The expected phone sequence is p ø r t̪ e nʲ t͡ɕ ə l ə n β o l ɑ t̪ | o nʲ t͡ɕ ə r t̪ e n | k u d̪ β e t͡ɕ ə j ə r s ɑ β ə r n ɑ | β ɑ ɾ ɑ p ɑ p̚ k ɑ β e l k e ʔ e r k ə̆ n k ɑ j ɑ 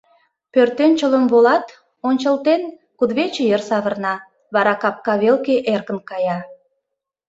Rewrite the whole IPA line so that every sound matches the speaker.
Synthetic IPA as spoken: p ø r t̪ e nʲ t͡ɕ ə l ə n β o l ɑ t̪ | o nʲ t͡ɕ ə l t̪ e n | k u d̪ β e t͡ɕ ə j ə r s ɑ β ə r n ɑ | β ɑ ɾ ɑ k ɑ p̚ k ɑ β e l k e ʔ e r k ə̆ n k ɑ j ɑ